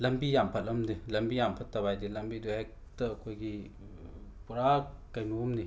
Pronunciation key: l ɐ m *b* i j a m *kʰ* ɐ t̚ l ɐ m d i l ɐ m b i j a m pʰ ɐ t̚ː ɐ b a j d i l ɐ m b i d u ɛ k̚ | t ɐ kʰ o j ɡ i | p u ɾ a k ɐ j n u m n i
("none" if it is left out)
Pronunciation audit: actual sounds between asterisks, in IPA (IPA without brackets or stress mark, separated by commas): b, pʰ